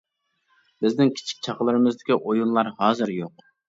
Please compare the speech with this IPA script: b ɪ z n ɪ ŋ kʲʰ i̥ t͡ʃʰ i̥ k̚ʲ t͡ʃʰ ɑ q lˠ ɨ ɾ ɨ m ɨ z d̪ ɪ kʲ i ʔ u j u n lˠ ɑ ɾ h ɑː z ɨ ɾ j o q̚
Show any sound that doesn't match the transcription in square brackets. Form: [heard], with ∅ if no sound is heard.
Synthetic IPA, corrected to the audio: b ɪ z n ɪ ŋ kʲʰ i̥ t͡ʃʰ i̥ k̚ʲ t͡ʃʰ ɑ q lˠ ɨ ɾ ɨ m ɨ z d̪ ɪ kʲ i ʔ [o] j u n lˠ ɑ ɾ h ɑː z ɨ ɾ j o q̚

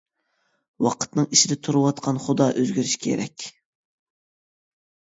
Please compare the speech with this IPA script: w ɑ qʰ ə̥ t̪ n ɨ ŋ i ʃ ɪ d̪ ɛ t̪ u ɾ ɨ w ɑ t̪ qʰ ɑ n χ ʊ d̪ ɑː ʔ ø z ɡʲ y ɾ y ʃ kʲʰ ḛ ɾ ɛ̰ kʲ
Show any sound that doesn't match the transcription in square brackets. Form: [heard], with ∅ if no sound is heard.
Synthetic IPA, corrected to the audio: w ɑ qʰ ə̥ t̪ n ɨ ŋ i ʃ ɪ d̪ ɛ [t̪ʰ] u ɾ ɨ w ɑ t̪ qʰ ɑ n χ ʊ d̪ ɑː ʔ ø z ɡʲ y ɾ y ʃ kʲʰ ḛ ɾ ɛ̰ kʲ

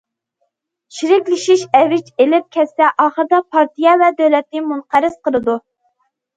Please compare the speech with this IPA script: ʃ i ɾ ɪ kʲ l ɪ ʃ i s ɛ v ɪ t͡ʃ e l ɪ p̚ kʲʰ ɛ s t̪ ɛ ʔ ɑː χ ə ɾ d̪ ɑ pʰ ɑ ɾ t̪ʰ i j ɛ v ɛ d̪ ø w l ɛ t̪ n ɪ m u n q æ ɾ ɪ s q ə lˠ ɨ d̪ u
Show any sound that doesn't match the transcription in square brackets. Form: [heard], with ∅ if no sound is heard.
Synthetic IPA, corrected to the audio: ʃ i ɾ ɪ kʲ l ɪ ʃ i [ʃ] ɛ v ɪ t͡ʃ e l ɪ p̚ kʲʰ ɛ s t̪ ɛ ʔ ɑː χ ə ɾ d̪ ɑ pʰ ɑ ɾ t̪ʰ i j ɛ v ɛ d̪ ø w l ɛ t̪ n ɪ m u n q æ ɾ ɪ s q ə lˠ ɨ d̪ u

